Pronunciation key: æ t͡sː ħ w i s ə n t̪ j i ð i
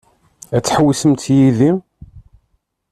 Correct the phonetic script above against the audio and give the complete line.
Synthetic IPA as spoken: æ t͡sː ħ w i s ə m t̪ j i ð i